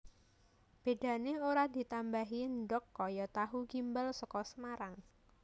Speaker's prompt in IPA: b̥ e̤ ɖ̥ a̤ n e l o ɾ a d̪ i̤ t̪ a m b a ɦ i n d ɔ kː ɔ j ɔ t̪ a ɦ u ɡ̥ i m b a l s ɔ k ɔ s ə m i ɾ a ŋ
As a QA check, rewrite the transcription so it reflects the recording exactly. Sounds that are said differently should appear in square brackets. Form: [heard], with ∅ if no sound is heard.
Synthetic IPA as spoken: b̥ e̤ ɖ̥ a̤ n e [∅] o ɾ a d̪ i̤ t̪ a m b a ɦ i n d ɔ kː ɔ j ɔ t̪ a ɦ u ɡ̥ i m b a l s ɔ k ɔ s ə m [a] ɾ a ŋ